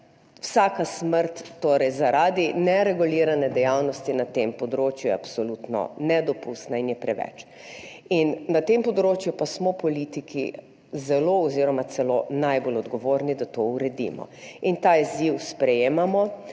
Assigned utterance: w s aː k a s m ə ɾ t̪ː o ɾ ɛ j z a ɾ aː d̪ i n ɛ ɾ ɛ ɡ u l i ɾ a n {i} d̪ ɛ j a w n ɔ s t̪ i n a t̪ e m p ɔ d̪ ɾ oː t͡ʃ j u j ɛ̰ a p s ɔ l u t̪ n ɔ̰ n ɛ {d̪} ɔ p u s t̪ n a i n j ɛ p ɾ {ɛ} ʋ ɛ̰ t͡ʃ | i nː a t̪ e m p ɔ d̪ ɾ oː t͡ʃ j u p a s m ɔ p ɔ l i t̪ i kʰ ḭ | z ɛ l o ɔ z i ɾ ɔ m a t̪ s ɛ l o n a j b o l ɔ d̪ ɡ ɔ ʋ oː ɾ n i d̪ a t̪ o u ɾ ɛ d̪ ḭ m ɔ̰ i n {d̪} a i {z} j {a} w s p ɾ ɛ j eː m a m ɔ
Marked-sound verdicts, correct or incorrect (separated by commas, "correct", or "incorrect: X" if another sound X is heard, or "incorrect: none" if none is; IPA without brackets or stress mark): incorrect: ɛ, correct, correct, incorrect: t̪, correct, incorrect: i